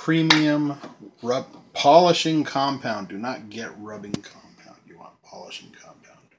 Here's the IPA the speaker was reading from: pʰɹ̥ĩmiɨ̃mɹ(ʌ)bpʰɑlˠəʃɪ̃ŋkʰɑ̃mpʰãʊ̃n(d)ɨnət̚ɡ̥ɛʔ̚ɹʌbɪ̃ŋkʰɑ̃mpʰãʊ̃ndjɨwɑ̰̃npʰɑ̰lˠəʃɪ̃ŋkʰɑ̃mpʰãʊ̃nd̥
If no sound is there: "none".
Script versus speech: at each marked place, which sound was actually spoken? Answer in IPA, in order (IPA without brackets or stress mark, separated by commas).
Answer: ʌ, d